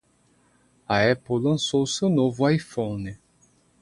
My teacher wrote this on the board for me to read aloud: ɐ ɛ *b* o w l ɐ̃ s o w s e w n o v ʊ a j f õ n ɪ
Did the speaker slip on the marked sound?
yes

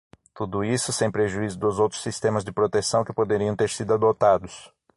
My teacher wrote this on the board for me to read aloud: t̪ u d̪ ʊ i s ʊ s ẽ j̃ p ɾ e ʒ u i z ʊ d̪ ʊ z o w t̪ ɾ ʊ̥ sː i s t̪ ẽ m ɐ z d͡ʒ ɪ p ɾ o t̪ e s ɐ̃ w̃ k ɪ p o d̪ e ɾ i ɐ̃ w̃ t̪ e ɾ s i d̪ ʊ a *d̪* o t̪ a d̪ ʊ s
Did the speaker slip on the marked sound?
no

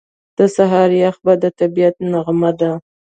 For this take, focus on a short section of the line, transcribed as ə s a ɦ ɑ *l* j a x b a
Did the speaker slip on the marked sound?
yes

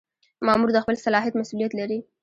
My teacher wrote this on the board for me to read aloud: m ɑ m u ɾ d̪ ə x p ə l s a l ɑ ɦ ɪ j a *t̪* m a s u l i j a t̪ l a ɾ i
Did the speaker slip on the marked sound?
no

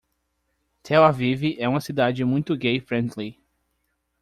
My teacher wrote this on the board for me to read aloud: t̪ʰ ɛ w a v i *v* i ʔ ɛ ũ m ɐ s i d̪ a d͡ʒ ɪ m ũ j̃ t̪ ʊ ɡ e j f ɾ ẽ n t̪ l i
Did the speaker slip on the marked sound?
no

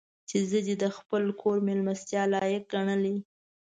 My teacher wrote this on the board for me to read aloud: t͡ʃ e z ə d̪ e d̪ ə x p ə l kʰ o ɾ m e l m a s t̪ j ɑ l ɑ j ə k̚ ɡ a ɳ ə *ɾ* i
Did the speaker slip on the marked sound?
yes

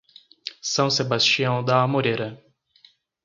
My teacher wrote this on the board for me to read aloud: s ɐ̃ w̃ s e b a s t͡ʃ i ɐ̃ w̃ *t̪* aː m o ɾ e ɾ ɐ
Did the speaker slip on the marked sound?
yes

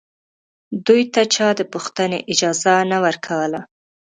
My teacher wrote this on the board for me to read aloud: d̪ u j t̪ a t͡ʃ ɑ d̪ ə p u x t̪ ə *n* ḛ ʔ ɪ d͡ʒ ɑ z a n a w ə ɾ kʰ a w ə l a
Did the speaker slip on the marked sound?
no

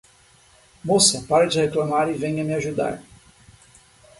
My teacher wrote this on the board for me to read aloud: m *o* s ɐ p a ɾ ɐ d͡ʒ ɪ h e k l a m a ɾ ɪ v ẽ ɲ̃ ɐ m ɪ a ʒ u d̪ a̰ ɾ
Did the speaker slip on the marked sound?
no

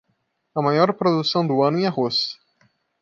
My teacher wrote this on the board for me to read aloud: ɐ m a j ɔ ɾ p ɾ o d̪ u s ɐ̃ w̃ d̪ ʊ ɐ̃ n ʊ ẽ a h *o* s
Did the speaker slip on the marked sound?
no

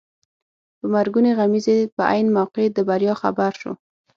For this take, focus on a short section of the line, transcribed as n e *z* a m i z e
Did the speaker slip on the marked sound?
yes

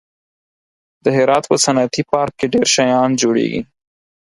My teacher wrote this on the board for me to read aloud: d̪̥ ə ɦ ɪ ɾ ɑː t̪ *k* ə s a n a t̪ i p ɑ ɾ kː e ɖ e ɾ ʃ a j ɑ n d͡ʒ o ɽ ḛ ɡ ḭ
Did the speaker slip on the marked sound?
yes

